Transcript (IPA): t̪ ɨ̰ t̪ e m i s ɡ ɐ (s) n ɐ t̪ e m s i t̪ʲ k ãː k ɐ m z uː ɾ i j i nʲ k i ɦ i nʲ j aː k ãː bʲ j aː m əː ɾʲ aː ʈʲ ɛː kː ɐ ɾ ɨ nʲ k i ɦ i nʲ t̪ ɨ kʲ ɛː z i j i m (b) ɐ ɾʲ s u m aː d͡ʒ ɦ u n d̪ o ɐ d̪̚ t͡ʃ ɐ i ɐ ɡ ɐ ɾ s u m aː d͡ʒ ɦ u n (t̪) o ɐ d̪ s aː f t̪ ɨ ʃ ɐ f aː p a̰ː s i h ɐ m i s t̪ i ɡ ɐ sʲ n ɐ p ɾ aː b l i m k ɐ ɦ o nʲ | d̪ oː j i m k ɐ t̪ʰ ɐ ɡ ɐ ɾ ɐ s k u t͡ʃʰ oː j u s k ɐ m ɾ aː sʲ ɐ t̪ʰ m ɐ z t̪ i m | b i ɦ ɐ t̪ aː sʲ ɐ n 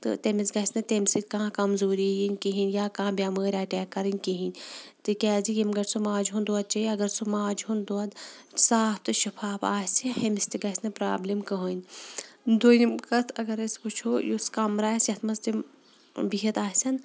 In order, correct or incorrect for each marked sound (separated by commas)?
correct, incorrect, incorrect